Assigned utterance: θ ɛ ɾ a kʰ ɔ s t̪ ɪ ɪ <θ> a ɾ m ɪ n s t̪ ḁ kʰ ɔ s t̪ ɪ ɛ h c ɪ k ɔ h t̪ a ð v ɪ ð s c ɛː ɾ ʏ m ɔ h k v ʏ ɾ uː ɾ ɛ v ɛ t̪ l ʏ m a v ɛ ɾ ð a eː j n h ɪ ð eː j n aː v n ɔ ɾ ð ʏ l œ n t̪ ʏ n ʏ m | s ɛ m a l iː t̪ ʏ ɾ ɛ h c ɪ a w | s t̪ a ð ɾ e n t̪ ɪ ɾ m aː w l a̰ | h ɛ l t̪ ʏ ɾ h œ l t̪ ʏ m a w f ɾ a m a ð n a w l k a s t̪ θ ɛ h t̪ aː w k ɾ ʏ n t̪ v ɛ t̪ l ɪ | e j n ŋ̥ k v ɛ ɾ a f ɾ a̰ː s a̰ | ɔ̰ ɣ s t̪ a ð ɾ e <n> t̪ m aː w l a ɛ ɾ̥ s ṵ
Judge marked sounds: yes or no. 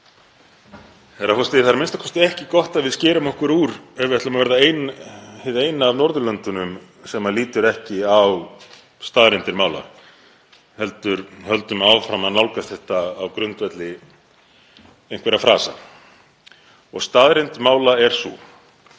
yes, yes

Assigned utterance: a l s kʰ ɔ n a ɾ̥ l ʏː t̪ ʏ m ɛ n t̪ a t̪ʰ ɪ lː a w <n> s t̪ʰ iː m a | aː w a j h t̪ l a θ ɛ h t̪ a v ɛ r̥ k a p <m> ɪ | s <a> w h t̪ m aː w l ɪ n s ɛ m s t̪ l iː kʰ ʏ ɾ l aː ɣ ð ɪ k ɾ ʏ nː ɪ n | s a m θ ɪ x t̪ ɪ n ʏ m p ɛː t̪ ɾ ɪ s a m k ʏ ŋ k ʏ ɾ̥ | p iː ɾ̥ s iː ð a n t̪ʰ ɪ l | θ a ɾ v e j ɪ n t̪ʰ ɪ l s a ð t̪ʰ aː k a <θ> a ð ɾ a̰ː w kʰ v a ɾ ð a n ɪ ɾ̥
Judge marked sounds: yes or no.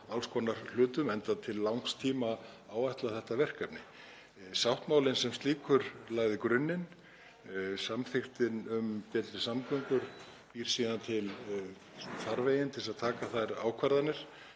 no, no, yes, yes

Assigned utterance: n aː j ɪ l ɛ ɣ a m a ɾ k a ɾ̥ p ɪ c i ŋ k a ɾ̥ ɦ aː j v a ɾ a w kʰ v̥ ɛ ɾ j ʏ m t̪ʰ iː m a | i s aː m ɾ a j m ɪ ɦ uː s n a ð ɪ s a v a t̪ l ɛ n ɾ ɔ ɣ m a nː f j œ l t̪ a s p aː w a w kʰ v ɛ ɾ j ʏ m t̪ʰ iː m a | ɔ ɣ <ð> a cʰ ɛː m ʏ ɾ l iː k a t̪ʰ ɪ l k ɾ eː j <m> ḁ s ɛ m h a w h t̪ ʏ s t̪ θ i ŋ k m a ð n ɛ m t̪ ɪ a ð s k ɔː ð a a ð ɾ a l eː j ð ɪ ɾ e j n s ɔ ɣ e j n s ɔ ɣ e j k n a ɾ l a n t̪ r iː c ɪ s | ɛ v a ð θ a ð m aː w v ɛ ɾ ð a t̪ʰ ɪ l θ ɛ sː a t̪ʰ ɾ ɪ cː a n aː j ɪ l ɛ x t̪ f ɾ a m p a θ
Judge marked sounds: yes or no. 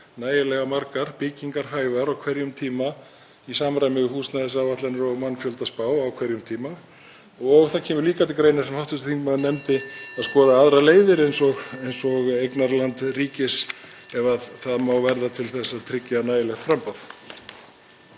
no, no

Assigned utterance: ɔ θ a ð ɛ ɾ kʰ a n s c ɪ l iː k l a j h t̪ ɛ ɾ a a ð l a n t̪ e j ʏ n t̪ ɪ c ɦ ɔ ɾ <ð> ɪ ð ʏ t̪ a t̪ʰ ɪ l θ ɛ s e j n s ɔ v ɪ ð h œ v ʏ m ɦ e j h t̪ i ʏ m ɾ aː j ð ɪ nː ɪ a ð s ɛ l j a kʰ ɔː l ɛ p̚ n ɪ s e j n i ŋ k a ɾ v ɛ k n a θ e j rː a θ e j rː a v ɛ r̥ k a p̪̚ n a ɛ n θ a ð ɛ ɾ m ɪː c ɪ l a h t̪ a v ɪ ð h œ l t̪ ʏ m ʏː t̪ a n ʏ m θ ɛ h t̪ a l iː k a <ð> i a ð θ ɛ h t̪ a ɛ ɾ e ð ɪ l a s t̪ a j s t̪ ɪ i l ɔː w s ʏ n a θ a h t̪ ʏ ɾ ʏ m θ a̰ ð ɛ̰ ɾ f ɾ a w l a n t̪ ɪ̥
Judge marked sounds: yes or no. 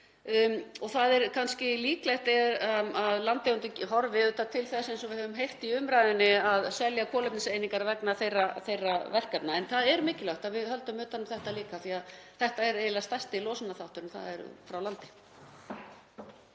no, no

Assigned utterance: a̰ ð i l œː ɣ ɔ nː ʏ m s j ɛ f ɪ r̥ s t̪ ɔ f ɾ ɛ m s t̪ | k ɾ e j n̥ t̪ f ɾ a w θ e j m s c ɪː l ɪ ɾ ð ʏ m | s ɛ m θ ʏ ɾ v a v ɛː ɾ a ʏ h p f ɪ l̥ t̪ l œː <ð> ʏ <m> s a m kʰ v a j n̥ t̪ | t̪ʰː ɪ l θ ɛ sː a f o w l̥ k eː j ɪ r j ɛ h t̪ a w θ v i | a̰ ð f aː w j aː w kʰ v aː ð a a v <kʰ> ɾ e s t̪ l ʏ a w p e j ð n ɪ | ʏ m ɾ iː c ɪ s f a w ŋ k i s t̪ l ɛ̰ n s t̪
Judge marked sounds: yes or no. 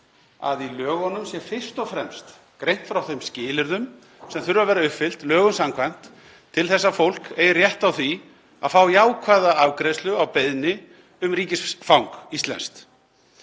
no, no, no

